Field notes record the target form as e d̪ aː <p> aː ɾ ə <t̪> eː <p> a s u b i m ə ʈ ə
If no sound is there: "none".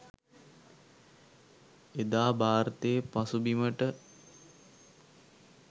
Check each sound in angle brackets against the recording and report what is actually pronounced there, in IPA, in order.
b, t̪, p

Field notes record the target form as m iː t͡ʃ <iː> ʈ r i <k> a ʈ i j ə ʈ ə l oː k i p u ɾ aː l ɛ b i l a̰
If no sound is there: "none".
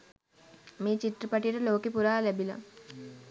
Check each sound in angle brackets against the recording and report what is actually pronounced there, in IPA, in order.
i, p

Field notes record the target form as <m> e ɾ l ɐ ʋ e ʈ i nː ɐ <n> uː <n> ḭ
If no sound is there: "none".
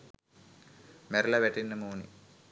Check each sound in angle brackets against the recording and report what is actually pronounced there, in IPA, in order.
m, m, n

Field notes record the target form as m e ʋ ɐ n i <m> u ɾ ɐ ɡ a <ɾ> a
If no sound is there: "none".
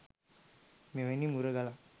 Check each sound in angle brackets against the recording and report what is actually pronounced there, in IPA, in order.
m, l

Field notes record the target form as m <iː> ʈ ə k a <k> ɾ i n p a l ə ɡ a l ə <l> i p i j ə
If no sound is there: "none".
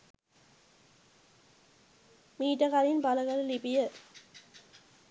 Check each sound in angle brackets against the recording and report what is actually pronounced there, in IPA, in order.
iː, none, l

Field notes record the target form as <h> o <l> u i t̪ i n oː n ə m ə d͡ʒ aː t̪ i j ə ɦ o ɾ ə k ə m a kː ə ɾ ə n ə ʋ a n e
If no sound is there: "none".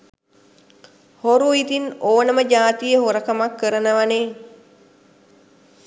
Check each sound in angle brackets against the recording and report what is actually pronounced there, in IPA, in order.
h, ɾ

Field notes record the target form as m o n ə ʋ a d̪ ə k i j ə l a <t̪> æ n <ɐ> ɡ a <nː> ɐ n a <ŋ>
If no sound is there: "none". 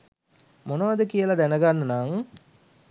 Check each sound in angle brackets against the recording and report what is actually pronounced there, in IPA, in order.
d̪, ə, nː, ŋ

